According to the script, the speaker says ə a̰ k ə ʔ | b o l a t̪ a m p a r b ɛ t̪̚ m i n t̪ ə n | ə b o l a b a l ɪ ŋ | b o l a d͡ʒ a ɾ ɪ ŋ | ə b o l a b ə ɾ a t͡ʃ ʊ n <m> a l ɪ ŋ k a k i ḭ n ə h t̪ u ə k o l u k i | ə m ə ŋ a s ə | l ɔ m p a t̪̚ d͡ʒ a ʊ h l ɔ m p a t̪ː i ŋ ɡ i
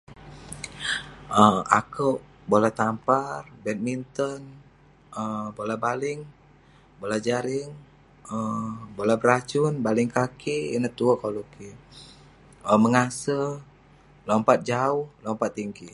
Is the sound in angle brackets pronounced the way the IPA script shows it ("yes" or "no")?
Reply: no